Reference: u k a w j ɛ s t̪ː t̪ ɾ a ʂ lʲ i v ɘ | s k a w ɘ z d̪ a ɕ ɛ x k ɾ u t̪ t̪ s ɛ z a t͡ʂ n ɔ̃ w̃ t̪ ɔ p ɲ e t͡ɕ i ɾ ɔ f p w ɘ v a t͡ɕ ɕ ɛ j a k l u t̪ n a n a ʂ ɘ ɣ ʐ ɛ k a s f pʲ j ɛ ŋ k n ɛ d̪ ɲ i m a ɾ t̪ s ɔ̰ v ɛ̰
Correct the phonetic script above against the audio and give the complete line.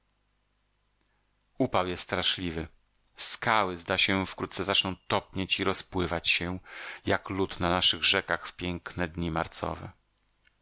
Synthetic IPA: u p a w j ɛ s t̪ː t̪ ɾ a ʂ lʲ i v ɘ | s k a w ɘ z d̪ a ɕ ɛ f k ɾ u t̪ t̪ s ɛ z a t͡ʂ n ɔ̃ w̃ t̪ ɔ p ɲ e t͡ɕ i ɾ ɔ s p w ɘ v a t͡ɕ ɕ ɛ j a k l u t̪ n a n a ʂ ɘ ɣ ʐ ɛ k a x f pʲ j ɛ ŋ k n ɛ d̪ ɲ i m a ɾ t̪ s ɔ̰ v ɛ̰